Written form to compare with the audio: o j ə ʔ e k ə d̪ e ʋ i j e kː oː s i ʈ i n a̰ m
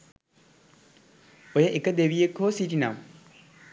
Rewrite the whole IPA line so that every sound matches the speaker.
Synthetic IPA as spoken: o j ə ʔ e k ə d̪ e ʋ i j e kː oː s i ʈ i n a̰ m